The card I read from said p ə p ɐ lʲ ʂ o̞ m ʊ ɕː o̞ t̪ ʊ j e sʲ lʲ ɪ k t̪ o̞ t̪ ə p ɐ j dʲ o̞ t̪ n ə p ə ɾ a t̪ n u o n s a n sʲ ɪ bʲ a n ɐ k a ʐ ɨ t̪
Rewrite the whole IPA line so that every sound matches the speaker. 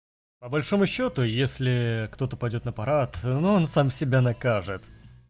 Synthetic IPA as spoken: p ə b ɐ lʲ ʂ o̞ m ʊ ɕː o̞ t̪ ʊ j e sʲ lʲ ɪ k t̪ o̞ t̪ ə p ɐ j dʲ o̞ t̪ n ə p ɐ ɾ a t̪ n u o n s a m sʲ ɪ bʲ a n ɐ k a ʐ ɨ t̪